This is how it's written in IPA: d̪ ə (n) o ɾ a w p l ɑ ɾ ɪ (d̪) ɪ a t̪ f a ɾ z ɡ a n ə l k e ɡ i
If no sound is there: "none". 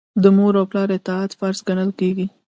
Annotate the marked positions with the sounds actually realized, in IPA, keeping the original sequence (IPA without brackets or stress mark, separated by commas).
m, t̪